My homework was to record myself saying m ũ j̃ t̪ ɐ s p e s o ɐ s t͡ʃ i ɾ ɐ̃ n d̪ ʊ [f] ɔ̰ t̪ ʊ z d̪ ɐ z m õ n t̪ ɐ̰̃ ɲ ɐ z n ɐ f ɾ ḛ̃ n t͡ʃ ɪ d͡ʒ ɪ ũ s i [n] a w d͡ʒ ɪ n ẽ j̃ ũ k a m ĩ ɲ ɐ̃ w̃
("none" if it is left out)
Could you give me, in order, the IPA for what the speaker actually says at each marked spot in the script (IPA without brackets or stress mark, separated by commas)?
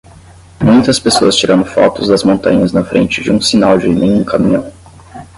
f, n